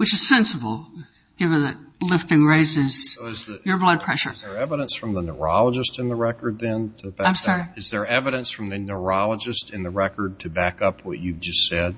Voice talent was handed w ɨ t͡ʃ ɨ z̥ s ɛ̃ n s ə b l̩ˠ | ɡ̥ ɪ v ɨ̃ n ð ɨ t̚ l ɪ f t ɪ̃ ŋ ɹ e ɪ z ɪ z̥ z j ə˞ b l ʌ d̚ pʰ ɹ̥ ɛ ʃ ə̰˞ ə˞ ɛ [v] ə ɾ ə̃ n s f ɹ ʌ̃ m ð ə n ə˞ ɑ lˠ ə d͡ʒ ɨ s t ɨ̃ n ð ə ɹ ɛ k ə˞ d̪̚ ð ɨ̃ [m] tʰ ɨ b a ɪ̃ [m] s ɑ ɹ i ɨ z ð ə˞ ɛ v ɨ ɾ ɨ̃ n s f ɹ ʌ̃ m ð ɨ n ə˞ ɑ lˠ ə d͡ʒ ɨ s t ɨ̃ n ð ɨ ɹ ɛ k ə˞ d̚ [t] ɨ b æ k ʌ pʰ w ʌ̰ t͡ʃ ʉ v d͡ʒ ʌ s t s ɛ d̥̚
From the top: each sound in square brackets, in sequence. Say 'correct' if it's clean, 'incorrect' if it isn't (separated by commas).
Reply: correct, incorrect, correct, incorrect